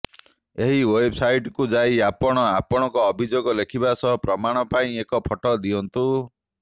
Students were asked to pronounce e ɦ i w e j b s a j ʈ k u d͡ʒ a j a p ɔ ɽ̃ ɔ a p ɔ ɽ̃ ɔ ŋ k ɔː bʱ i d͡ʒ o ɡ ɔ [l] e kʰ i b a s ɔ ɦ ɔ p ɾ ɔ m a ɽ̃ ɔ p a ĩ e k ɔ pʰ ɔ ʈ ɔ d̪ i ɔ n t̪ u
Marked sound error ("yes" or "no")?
no